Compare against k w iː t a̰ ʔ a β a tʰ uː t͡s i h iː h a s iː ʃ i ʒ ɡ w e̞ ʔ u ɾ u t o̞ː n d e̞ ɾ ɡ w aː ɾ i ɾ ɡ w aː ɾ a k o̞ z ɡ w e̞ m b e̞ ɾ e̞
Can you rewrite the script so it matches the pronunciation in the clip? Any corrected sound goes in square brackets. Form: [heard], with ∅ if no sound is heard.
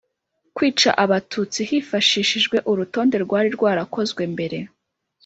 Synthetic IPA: k w iː [t͡ʃ] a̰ ʔ a β a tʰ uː t͡s i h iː [f] a [ʃ] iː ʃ i ʒ ɡ w e̞ ʔ u ɾ u t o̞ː n d e̞ ɾ ɡ w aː ɾ i ɾ ɡ w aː ɾ a k o̞ z ɡ w e̞ m b e̞ ɾ e̞

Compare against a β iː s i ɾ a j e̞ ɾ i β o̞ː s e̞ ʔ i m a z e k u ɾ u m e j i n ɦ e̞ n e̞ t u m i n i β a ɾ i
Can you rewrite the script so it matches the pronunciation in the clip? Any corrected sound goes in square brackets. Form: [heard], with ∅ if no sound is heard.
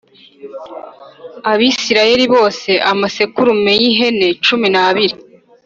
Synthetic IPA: a β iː s i ɾ a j e̞ ɾ i β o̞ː s e̞ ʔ [a] m a [s] e k u ɾ u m e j i [∅] ɦ e̞ n e̞ [t͡ʃ] u m i n [a] β [i] ɾ i

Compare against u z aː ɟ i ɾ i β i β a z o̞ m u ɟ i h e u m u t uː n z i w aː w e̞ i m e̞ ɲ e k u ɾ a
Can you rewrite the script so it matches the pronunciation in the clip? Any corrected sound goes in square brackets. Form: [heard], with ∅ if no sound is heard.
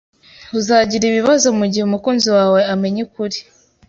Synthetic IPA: u z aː ɟ i ɾ i β i β a z o̞ m u ɟ i h e u m u [k] uː n z i w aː w e̞ [a] m e̞ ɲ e k u ɾ [i]

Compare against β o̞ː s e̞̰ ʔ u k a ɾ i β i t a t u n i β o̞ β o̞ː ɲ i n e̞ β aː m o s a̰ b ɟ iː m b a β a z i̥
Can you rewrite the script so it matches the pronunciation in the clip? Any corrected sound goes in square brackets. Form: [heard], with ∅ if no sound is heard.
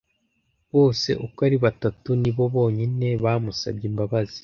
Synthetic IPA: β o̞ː s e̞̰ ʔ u k a ɾ i β [a] t a t u n i β o̞ β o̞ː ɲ i n e̞ β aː m [u] s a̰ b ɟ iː m b a β a z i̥

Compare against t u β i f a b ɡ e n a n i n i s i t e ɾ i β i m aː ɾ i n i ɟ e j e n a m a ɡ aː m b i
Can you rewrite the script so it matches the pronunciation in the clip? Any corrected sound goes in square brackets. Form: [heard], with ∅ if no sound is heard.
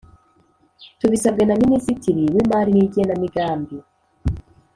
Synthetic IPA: t u β i [s] a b ɡ e n a [m] i n i s i t [i] ɾ i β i m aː ɾ i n i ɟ [i] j e n a m [i] ɡ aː m b i

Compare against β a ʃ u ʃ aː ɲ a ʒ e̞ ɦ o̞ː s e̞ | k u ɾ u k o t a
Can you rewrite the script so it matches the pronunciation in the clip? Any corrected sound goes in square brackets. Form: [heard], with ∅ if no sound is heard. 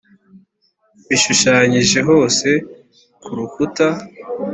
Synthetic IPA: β [i] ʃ u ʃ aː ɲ [i] ʒ e̞ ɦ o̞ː s e̞ | k u ɾ u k [u] t a

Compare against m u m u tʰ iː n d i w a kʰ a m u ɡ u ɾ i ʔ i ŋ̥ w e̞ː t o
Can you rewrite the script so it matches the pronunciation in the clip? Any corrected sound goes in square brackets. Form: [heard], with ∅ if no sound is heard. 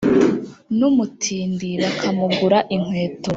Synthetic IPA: [n] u m u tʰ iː n d i [β] a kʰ a m u ɡ u ɾ [a] ʔ i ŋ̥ w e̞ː t o

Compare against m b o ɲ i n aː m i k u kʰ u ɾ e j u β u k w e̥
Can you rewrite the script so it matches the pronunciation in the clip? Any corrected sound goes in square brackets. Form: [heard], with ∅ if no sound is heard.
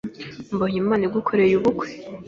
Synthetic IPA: m b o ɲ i [m] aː [n] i [ɡ] u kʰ [o] ɾ e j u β u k w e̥

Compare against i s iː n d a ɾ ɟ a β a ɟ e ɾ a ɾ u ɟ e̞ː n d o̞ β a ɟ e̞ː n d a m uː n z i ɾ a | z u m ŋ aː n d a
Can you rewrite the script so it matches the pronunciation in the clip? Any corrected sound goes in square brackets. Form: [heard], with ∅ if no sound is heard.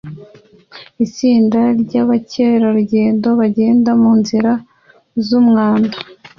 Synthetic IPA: i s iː n d a ɾ ɟ a β a [c] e ɾ a ɾ u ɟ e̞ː n d o̞ β a ɟ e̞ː n d a m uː n z i ɾ a | z u m ŋ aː n d a

